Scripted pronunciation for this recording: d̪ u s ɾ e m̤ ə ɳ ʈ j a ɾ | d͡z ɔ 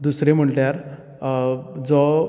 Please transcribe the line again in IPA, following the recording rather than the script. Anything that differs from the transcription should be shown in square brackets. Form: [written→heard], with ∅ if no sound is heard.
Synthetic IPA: d̪ u s ɾ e m̤ ə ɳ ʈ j a ɾ | d͡z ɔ